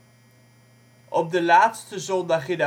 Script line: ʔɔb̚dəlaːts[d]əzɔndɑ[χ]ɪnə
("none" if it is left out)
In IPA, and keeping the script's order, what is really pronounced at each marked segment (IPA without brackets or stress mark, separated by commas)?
t, χ